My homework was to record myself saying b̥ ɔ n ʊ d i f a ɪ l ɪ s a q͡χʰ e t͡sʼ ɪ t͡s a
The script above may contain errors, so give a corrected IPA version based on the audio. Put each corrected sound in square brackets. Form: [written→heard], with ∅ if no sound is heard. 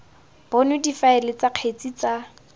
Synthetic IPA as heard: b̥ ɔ n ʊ d i f a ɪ l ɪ [s→t͡s] a q͡χʰ e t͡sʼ [ɪ→i] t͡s a